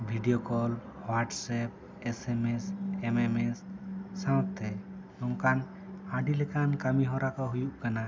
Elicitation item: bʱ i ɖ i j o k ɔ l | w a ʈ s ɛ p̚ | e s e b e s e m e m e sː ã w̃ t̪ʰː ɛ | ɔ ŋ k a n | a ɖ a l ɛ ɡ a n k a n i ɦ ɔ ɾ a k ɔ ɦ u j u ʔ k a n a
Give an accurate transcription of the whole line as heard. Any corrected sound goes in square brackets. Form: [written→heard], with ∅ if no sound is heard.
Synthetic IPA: bʱ i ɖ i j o k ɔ l | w a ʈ s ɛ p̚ | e s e [b→m] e s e m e m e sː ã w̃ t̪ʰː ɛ | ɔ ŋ k a n | a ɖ [a→i] l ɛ [ɡ→k] a n k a [n→m] i ɦ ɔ ɾ a k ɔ ɦ u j u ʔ k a n a